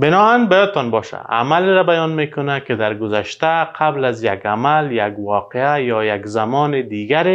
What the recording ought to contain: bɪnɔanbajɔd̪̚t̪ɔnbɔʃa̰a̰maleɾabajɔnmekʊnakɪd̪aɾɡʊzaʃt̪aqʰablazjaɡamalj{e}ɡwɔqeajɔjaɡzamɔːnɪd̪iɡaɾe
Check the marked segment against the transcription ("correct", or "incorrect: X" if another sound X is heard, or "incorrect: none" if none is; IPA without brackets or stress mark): incorrect: a